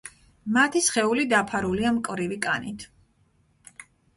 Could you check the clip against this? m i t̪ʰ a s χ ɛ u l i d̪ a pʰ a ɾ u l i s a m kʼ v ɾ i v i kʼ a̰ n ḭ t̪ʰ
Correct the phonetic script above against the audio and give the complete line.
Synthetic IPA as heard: m a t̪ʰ i s χ ɛ u l i d̪ a pʰ a ɾ u l i a m kʼ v ɾ i v i kʼ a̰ n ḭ t̪ʰ